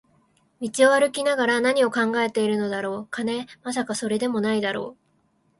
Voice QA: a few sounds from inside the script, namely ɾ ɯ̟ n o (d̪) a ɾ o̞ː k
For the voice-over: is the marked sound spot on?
yes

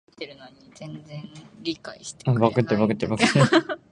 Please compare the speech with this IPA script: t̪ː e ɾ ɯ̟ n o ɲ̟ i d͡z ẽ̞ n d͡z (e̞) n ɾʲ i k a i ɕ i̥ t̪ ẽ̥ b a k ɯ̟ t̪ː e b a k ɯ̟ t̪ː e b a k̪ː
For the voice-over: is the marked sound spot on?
no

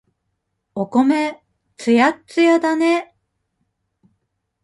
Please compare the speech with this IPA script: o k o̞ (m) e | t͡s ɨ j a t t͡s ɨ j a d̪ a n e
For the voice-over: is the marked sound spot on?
yes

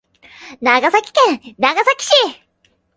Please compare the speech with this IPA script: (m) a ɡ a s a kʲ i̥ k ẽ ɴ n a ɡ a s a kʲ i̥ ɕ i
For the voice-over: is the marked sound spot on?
no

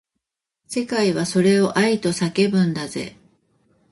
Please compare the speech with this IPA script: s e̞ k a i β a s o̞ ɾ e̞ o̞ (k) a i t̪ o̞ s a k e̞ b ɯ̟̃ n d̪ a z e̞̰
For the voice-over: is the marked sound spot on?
no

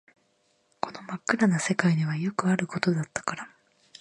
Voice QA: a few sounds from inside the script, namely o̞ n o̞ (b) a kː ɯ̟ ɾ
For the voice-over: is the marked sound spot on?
no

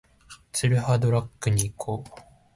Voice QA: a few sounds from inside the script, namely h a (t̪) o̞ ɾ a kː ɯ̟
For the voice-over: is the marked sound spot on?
no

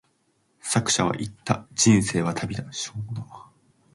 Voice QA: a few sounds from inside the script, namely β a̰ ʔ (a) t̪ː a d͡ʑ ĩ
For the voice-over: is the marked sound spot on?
no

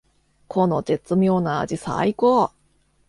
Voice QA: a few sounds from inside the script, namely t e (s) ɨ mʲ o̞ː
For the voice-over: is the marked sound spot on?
no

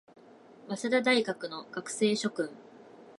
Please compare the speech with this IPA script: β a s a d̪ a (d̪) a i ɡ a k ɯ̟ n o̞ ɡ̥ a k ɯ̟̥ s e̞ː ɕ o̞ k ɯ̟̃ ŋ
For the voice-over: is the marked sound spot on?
yes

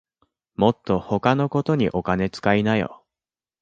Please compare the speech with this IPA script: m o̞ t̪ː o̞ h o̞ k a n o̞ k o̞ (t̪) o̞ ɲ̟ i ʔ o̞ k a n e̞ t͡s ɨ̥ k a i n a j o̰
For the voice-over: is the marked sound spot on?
yes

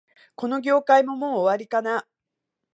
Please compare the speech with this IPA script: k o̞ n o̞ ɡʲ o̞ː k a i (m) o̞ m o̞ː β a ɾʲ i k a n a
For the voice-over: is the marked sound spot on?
yes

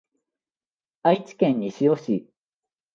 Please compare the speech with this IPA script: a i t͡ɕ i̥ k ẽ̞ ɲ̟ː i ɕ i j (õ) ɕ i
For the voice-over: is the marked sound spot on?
no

